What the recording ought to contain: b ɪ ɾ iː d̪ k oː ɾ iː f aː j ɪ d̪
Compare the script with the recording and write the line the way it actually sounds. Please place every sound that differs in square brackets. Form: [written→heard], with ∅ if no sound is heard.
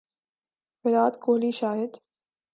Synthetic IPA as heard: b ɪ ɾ [iː→aː] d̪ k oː [ɾ→l] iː [f→ʃ] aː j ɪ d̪